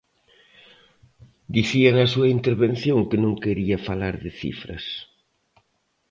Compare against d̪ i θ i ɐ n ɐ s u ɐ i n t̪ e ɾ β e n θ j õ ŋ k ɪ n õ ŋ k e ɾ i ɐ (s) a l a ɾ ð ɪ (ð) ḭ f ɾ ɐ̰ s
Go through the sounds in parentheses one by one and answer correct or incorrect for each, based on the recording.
incorrect, incorrect

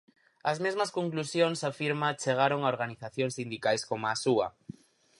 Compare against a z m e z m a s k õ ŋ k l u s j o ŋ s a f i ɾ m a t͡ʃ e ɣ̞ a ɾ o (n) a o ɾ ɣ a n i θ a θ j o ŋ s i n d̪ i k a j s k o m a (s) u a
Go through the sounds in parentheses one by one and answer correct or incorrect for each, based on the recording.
incorrect, correct

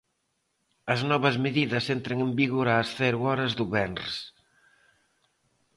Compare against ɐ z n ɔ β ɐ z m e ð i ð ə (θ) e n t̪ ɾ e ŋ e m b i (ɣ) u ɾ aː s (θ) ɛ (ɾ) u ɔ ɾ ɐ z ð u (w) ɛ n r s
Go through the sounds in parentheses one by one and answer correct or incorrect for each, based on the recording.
incorrect, correct, correct, correct, incorrect

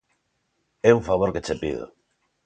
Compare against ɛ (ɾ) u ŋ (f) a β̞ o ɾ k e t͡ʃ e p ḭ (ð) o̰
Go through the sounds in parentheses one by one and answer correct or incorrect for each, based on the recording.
incorrect, correct, correct

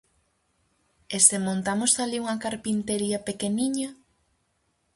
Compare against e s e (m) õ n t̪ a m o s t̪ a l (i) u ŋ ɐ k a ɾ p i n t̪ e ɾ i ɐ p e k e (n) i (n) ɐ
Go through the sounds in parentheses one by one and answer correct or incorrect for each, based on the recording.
correct, correct, correct, incorrect

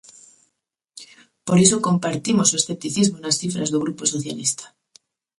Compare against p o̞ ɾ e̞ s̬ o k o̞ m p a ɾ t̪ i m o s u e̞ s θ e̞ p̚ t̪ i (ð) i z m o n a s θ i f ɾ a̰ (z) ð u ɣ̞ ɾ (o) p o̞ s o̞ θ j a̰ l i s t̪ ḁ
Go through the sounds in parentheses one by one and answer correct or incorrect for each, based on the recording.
incorrect, correct, incorrect

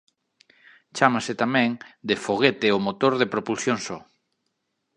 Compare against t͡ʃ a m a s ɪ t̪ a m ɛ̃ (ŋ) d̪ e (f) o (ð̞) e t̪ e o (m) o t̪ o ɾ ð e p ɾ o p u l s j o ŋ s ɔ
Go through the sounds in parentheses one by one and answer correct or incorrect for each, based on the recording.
correct, correct, incorrect, correct

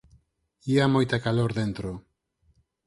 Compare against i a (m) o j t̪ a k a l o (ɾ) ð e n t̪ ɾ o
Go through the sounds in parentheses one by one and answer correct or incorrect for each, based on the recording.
correct, correct

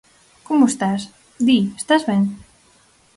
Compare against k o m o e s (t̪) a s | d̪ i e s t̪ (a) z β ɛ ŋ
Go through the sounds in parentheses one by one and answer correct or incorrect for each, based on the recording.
correct, correct

